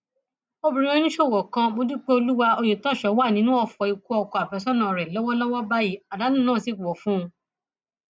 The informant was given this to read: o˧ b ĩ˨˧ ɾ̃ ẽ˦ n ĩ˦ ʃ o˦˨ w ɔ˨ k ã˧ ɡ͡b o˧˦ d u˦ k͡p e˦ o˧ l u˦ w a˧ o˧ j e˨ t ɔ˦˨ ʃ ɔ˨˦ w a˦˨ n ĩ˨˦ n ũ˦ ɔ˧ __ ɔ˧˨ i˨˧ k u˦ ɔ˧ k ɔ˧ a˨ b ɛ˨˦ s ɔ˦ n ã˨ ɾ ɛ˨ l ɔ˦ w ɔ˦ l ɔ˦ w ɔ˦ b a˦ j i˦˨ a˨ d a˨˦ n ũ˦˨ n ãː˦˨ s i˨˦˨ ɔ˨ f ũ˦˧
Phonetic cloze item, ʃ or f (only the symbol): f